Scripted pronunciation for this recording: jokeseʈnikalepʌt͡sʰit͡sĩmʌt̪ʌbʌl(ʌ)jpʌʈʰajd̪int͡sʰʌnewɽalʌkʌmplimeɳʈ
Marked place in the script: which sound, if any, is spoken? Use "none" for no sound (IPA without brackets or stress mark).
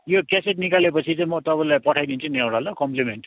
a